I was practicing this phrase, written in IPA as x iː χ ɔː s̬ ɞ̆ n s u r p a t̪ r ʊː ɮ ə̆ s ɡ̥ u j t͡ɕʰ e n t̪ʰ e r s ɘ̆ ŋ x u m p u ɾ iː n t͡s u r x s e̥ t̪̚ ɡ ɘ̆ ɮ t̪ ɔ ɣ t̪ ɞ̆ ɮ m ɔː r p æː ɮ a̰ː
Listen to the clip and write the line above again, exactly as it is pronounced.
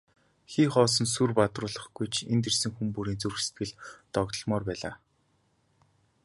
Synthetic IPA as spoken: x iː χ ɔː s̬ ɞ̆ n s u r p a t̪ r ʊː ɮ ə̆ χ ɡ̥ u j t͡ɕʰ e n t̪ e r s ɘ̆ ŋ x u m p u ɾ iː n t͡s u r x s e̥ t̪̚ ɡ ɘ̆ ɮ t̪ ɔ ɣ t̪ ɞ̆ ɮ m ɔː r p æː ɮ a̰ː